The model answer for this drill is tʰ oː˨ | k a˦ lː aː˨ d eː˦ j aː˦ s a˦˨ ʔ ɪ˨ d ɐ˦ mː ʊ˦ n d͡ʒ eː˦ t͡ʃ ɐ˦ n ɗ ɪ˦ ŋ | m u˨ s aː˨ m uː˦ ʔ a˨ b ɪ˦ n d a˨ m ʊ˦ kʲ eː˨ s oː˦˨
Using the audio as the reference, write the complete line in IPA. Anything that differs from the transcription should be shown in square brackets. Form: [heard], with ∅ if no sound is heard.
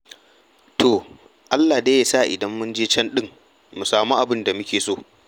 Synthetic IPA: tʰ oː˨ | [ʔ] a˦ lː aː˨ d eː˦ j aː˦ s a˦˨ ʔ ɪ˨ d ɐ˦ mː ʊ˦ n d͡ʒ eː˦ t͡ʃ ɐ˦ n ɗ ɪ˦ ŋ | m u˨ s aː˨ m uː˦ ʔ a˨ b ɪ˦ n d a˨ m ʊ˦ kʲ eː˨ s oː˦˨